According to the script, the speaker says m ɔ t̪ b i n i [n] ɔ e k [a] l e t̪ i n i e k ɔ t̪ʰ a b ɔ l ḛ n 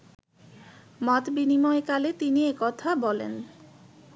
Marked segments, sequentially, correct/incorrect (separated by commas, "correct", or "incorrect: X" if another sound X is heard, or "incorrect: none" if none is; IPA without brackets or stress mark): incorrect: m, correct